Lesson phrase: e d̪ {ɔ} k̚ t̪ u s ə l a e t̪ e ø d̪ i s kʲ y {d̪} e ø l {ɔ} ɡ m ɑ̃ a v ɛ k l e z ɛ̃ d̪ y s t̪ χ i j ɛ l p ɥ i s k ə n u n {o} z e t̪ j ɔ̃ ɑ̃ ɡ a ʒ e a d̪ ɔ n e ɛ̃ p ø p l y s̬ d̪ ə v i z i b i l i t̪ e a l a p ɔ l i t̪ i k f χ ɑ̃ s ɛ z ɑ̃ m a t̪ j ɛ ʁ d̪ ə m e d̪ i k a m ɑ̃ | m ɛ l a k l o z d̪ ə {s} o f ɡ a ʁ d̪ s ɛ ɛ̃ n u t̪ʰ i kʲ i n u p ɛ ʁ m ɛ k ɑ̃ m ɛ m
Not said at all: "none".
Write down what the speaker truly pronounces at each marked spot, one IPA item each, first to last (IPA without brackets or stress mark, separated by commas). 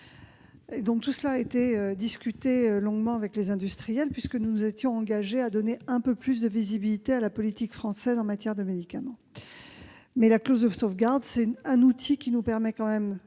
ɔ̃, t̪, ɔ̃, u, s